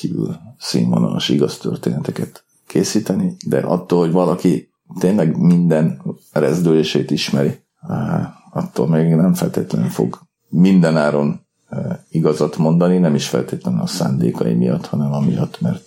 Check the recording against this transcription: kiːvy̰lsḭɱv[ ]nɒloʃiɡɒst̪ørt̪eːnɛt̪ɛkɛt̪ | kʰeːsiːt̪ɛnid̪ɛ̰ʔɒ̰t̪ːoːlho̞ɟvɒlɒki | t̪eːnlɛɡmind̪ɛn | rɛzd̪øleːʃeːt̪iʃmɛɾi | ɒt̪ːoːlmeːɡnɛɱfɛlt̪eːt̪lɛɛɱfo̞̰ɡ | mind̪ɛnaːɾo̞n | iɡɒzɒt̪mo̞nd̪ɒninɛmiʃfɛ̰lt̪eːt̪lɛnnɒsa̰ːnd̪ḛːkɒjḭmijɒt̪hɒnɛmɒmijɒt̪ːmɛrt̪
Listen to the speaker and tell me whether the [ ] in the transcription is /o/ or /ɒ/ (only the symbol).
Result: o